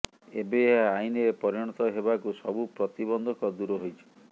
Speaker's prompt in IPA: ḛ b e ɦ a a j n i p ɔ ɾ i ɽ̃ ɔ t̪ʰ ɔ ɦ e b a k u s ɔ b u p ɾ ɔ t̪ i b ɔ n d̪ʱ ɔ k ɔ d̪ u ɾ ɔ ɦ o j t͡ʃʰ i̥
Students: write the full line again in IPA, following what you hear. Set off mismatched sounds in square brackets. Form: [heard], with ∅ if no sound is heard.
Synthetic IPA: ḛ b e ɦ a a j n [e] p ɔ ɾ i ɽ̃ ɔ [t̪] ɔ ɦ e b a k u s ɔ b u p ɾ ɔ t̪ i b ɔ n d̪ʱ ɔ k ɔ d̪ u ɾ ɔ ɦ o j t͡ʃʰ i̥